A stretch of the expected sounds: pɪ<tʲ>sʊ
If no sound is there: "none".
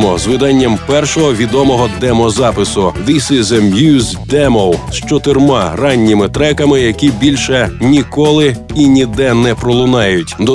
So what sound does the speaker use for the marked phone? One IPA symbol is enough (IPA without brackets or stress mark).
none